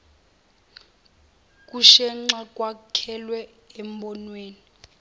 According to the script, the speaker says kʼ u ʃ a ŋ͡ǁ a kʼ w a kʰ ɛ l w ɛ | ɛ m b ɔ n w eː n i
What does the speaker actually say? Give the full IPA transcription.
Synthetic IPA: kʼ u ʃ ɛ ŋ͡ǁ a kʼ w a kʰ ɛ l w ɛ | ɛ m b ɔ n w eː n i